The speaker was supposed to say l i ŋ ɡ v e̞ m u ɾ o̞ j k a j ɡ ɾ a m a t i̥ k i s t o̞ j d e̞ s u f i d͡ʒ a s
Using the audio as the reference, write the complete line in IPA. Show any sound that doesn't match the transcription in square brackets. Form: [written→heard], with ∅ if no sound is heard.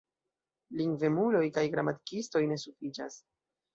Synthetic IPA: l i ŋ ɡ v e̞ m u [ɾ→l] o̞ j k a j ɡ ɾ a m a t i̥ k i s t o̞ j [d→n] e̞ s u f i d͡ʒ a s